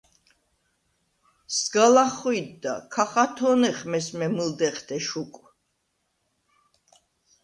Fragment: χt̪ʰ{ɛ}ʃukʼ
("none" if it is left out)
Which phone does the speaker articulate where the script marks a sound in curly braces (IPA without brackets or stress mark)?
ɛ